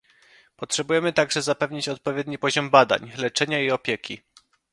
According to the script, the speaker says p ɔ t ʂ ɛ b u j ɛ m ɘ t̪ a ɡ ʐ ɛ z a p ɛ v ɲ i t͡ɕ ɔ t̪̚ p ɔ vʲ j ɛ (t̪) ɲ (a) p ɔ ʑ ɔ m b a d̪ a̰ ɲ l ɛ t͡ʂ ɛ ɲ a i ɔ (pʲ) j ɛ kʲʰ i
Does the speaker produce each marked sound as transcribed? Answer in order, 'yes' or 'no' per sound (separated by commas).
no, no, yes